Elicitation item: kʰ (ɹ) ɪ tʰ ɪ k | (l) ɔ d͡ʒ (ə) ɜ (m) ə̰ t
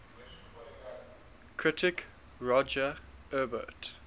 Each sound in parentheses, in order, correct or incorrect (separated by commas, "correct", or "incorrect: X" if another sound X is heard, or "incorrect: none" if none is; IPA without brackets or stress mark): correct, incorrect: ɹ, correct, incorrect: b